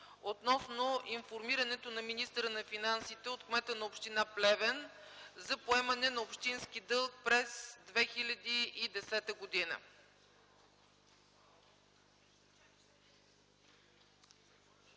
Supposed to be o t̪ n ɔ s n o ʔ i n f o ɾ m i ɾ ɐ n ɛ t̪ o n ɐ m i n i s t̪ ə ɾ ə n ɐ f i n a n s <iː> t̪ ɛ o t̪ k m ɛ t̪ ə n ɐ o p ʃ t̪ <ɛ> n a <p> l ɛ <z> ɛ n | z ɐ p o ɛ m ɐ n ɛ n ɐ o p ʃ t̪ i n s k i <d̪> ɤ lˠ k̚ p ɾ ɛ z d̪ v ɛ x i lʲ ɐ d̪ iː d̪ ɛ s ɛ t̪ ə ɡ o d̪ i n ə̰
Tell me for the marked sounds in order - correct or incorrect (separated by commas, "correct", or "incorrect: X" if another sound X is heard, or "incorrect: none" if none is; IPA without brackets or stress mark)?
incorrect: i, incorrect: i, correct, incorrect: v, correct